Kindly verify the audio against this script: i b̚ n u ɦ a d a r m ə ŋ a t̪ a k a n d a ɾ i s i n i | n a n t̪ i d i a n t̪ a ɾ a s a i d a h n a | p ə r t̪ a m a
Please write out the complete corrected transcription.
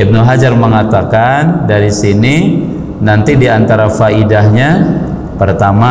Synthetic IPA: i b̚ n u ɦ a d͡ʒ a r m ə ŋ a t̪ a k a n d a ɾ i s i n i | n a n t̪ i d i a n t̪ a ɾ a f a i d a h ɲ a | p ə r t̪ a m a